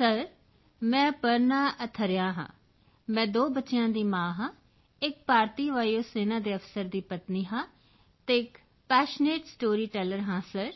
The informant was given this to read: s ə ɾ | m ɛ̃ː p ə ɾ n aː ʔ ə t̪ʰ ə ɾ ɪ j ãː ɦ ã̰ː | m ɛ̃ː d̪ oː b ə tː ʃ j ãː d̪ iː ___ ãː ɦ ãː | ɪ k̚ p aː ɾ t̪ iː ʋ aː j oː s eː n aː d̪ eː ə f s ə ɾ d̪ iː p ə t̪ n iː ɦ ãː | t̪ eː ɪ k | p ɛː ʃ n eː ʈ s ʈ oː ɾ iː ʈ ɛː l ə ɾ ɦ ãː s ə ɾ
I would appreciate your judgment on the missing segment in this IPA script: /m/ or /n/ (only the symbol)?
m